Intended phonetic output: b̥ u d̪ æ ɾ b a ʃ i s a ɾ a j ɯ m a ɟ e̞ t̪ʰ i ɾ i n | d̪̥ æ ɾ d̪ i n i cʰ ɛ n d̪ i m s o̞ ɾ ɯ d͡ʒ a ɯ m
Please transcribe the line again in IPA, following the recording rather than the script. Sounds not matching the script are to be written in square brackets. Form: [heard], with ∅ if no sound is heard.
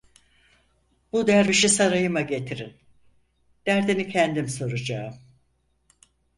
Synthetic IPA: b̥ u d̪ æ ɾ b [i] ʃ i s a ɾ a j ɯ m a ɟ e̞ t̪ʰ i ɾ i n | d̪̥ æ ɾ d̪ i n i cʰ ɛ n d̪ i m s o̞ ɾ [u] d͡ʒ a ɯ m